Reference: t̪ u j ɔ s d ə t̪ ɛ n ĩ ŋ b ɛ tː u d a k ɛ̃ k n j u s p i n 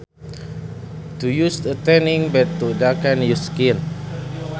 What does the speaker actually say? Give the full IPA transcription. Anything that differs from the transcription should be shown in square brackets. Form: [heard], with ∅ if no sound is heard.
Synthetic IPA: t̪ u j [u] s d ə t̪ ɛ n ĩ ŋ b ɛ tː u d a k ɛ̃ [∅] n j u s [k] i n

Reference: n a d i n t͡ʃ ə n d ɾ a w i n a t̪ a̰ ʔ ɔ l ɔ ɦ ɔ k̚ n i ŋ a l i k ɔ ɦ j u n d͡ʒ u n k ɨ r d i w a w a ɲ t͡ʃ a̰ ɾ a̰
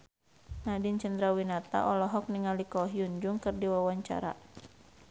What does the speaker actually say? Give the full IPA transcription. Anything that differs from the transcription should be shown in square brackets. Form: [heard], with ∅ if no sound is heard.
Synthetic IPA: n a d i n t͡ʃ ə n d ɾ a w i n a t̪ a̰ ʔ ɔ l ɔ ɦ ɔ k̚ n i ŋ a l i k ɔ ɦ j u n d͡ʒ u [ŋ] k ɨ r d i w a w a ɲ t͡ʃ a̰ ɾ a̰

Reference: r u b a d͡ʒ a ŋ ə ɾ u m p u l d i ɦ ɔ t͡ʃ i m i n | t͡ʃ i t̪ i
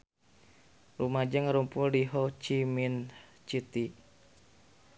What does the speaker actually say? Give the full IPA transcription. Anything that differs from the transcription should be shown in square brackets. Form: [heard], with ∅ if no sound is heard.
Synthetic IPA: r u [m] a d͡ʒ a ŋ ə ɾ u m p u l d i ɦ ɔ t͡ʃ i m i n | t͡ʃ i t̪ i

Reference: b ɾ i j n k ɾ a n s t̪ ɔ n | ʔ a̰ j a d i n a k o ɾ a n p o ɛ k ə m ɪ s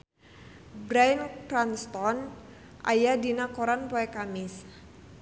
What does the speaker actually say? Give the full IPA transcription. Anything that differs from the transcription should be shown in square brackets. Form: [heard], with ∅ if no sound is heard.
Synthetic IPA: b ɾ [a] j n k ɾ a n s t̪ ɔ n | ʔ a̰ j a d i n a k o ɾ a n p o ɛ k [a] m ɪ s

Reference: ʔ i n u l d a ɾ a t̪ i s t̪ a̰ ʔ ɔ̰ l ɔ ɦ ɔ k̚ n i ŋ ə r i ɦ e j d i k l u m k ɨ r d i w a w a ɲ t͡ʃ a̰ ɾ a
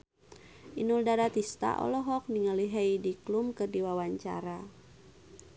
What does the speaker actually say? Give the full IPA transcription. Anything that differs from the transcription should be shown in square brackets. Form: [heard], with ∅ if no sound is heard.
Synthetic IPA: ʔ i n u l d a ɾ a t̪ i s t̪ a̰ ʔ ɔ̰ l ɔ ɦ ɔ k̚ n i ŋ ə [l] i ɦ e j d i k l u m k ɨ r d i w a w a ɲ t͡ʃ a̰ ɾ a

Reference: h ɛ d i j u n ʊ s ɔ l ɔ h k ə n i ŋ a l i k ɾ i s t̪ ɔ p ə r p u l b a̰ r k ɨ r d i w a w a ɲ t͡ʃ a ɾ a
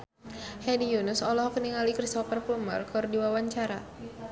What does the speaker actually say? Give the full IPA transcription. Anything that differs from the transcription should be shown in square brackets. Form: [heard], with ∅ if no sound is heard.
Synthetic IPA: h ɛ d i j u n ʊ s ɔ l ɔ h k ə n i ŋ a l i k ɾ i s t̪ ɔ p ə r p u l [m] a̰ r k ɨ r d i w a w a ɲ t͡ʃ a ɾ a

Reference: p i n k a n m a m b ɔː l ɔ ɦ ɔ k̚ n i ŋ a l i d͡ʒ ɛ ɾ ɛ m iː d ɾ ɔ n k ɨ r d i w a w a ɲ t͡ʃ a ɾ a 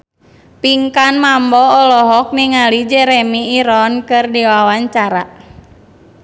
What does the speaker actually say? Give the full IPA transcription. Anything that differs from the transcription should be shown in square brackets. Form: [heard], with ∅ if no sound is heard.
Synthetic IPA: p i [ŋ] k a n m a m b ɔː l ɔ ɦ ɔ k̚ n i ŋ a l i d͡ʒ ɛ ɾ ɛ m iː [∅] ɾ ɔ n k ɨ r d i w a w a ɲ t͡ʃ a ɾ a

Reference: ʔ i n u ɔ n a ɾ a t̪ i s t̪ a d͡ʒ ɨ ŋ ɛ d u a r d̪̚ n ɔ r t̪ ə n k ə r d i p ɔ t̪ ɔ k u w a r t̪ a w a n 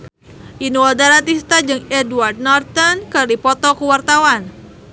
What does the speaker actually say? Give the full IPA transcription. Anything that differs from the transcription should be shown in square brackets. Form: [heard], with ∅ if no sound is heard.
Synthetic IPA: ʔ i n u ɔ [d] a ɾ a t̪ i s t̪ a d͡ʒ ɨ ŋ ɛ d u a r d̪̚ n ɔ r t̪ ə n k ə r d i p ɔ t̪ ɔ k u w a r t̪ a w a n

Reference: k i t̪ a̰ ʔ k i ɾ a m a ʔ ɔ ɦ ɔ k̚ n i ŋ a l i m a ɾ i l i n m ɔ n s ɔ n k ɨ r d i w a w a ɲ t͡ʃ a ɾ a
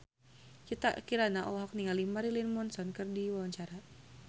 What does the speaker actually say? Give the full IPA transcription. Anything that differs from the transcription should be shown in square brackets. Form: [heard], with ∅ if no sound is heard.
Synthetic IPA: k i t̪ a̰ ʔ k i ɾ a [n] a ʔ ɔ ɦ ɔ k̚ n i ŋ a l i m a ɾ i l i n m ɔ n s ɔ n k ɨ r d i w a w a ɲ t͡ʃ a ɾ a

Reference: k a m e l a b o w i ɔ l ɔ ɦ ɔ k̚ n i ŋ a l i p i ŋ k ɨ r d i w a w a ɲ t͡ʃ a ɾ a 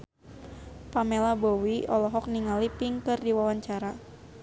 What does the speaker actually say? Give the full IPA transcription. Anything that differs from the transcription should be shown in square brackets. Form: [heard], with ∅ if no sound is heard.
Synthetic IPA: [p] a m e l a b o w i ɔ l ɔ ɦ ɔ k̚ n i ŋ a l i p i ŋ k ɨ r d i w a w a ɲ t͡ʃ a ɾ a

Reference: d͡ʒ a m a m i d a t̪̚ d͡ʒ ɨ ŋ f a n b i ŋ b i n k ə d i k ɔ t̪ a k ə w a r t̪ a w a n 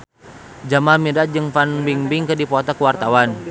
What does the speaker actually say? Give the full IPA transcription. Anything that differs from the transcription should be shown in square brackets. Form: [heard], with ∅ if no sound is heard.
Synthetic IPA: d͡ʒ a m a m i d a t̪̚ d͡ʒ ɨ ŋ f a n b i ŋ b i [ŋ] k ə d i [p] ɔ t̪ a k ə w a r t̪ a w a n

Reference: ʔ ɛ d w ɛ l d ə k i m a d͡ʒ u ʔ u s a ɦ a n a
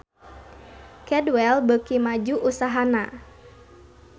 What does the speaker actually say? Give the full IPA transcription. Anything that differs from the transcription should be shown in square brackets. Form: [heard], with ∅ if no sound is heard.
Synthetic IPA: [k] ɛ d w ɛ l [b] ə k i m a d͡ʒ u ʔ u s a ɦ a n a

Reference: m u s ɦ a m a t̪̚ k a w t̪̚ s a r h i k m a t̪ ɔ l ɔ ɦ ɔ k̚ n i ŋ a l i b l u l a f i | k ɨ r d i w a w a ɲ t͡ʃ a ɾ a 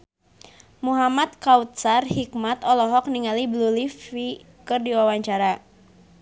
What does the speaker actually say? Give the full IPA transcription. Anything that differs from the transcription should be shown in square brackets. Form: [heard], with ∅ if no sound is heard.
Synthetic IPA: m u [∅] ɦ a m a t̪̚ k a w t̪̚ s a r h i k m a t̪ ɔ l ɔ ɦ ɔ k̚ n i ŋ a l i b l u l [i] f i | k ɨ r d i w a w a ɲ t͡ʃ a ɾ a

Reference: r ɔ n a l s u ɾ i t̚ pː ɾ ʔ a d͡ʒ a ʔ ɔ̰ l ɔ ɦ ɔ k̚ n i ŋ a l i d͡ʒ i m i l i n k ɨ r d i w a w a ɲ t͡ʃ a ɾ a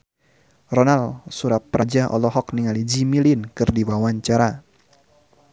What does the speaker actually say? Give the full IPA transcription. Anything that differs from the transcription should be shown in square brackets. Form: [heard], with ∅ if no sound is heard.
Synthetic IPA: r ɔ n a l s u ɾ [a] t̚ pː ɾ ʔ a d͡ʒ a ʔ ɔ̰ l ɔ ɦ ɔ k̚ n i ŋ a l i d͡ʒ i m i l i n k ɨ r d i w a w a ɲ t͡ʃ a ɾ a

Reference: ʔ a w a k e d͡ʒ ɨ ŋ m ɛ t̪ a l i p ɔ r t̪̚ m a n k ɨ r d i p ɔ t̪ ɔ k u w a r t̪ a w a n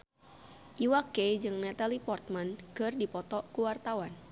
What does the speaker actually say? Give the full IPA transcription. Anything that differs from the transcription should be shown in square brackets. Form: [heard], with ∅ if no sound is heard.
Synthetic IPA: ʔ [i] w a k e d͡ʒ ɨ ŋ [n] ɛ t̪ a l i p ɔ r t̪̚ m a n k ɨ r d i p ɔ t̪ ɔ k u w a r t̪ a w a n

